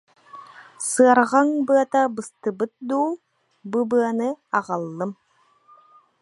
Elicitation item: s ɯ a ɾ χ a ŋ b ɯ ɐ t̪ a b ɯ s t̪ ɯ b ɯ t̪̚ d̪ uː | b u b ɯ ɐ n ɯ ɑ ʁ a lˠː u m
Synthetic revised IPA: s ɯ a ɾ ʁ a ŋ b ɯ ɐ t̪ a b ɯ s t̪ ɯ b ɯ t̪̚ d̪ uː | b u b ɯ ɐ n ɯ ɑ ʁ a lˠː ɯ m